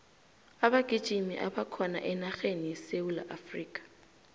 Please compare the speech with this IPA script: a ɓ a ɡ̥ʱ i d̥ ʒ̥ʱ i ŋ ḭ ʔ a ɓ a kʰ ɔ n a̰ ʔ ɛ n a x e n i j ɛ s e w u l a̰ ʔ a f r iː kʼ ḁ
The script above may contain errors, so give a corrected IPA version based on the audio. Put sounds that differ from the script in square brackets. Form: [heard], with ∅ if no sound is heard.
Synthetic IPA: a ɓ a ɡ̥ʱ i d̥ ʒ̥ʱ i [m] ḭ ʔ a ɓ a kʰ ɔ n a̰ ʔ ɛ n a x e n i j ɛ s e w u l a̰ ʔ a f r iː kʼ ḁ